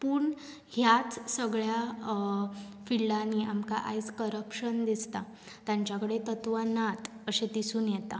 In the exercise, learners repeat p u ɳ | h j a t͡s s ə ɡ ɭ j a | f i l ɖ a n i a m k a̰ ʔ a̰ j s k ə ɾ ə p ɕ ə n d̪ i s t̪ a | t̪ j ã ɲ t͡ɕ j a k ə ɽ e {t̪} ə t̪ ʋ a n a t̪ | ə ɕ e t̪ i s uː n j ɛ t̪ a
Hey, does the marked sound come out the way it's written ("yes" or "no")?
yes